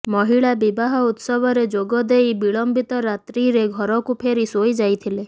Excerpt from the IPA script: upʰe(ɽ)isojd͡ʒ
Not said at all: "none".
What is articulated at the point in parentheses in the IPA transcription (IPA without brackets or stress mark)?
ɾ